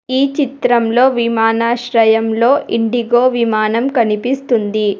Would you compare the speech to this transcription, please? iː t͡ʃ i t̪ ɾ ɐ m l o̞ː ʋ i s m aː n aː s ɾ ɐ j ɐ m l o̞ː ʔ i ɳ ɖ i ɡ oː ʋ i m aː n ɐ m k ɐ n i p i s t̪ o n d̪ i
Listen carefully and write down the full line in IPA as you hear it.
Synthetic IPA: iː t͡ʃ i t̪ ɾ ɐ m l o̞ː ʋ i m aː n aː ʃ ɾ ɐ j ɐ m l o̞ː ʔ i ɳ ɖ i ɡ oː ʋ i m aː n ɐ m k ɐ n i p i s t̪ u n d̪ i